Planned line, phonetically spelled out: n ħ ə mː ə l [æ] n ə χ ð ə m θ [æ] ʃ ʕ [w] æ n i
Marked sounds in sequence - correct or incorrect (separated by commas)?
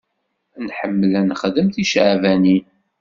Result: correct, incorrect, incorrect